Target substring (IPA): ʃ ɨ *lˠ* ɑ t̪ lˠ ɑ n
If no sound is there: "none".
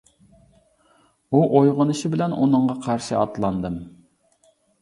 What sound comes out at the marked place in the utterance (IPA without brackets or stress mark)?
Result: none